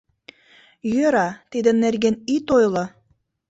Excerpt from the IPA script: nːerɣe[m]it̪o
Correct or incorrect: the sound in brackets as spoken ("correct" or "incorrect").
incorrect